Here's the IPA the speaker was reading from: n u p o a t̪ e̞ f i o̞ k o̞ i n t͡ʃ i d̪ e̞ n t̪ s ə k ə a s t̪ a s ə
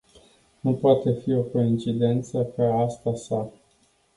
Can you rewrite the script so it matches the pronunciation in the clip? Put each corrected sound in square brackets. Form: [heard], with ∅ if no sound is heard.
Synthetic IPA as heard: n u p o a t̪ e̞ f i o̞ k o̞ i n t͡ʃ i d̪ e̞ n t̪ s ə k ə a s t̪ a s [a]